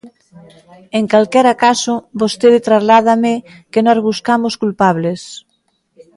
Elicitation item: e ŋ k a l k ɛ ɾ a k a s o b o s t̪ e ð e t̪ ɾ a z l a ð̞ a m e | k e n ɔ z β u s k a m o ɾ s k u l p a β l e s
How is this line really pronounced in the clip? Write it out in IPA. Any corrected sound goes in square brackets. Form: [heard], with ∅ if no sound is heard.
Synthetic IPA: e ŋ k a l k ɛ ɾ a k a s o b o s t̪ e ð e t̪ ɾ a z l a ð̞ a m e | k e n ɔ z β u s k a m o [∅] s k u l p a β l e s